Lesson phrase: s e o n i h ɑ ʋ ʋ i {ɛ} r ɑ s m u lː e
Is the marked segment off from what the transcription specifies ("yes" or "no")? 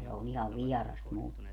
no